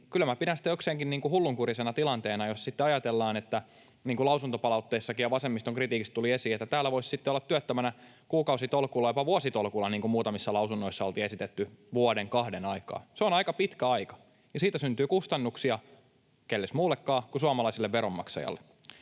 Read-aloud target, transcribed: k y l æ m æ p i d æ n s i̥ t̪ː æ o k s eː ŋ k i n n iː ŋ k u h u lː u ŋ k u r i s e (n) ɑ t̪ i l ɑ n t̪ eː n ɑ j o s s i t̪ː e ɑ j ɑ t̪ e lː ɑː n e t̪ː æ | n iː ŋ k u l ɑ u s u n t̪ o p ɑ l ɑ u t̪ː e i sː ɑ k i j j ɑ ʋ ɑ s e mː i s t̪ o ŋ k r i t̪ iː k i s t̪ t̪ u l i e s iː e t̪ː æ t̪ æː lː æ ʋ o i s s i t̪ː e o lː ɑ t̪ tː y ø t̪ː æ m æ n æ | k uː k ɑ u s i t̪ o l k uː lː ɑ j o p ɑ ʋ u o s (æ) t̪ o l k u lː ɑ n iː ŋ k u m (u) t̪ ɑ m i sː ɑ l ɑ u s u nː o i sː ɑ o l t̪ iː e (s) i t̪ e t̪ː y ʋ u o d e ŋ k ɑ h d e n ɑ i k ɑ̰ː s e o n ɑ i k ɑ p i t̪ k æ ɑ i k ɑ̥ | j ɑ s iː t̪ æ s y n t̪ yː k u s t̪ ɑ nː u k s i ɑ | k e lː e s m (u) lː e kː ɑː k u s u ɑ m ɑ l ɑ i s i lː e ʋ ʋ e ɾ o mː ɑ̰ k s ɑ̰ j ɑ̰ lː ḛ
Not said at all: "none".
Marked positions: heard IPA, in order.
n, i, uː, s, uː

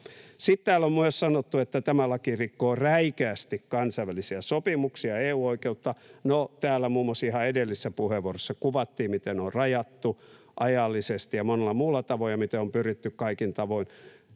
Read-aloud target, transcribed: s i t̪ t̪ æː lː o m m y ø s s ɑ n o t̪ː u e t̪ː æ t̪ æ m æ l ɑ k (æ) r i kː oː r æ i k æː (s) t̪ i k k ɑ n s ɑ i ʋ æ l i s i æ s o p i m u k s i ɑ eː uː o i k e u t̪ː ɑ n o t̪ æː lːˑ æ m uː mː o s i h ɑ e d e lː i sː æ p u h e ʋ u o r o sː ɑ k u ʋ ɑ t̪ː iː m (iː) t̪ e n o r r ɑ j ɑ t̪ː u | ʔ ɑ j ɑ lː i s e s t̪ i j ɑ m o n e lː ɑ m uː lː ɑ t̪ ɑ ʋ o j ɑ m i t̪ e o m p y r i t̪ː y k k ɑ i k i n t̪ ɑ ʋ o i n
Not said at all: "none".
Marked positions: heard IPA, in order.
i, s, i

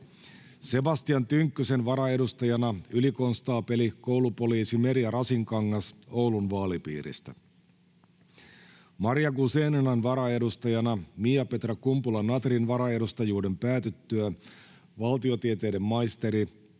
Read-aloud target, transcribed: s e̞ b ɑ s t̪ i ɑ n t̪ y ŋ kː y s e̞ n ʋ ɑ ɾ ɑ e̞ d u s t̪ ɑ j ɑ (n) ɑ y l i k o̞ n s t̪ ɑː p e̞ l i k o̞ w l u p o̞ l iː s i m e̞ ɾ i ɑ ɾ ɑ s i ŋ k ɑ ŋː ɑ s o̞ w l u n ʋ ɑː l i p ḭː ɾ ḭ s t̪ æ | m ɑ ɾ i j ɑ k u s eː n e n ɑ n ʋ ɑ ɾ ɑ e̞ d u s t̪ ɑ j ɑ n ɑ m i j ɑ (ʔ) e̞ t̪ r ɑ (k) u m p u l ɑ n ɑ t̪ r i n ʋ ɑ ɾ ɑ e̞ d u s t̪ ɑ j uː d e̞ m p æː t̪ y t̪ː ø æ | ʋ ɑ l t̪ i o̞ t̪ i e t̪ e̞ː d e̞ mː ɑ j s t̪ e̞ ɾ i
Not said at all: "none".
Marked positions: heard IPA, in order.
n, p, k

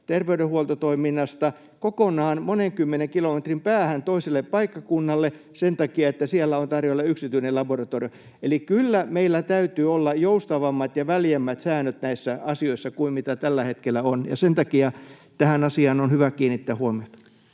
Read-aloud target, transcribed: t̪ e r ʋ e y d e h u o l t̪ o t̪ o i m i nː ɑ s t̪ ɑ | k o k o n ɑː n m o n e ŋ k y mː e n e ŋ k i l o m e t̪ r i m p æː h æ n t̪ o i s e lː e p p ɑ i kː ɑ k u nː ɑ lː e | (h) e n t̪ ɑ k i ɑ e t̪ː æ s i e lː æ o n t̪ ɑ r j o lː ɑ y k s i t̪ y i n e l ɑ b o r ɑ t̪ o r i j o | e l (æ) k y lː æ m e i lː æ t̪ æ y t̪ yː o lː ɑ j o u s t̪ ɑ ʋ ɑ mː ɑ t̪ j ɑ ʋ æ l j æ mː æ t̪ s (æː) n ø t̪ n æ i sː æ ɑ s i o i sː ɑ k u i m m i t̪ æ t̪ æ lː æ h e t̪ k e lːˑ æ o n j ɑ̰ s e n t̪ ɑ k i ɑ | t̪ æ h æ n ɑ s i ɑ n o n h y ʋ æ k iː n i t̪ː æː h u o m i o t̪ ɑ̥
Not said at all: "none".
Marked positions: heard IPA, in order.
s, i, æː

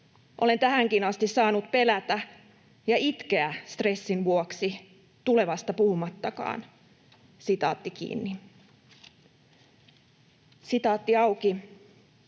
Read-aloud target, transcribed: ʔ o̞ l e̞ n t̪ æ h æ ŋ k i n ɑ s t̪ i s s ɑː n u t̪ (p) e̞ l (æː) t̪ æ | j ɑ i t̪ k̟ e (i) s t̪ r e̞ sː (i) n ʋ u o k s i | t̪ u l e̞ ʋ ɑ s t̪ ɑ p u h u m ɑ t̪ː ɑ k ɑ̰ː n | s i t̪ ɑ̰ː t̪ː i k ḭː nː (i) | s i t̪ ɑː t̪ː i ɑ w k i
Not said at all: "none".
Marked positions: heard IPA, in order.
p, æ, æ, i, i

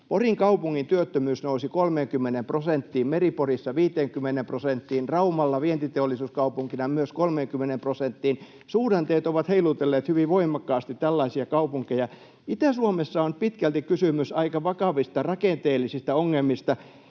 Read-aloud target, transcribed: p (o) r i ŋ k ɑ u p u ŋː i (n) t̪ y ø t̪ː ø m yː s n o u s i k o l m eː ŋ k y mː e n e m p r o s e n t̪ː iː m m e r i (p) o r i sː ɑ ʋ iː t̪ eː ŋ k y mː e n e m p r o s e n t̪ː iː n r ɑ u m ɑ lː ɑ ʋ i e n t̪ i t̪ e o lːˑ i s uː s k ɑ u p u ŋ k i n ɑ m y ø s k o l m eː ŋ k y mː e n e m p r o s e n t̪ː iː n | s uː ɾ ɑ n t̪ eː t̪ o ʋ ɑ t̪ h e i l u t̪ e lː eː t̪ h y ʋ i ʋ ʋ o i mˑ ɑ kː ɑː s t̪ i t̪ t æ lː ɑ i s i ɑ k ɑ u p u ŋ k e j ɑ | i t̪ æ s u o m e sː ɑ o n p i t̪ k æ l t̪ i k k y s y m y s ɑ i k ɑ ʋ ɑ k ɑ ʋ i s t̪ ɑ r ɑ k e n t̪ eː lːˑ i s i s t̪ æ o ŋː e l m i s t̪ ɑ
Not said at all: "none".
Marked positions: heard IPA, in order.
o, n, p

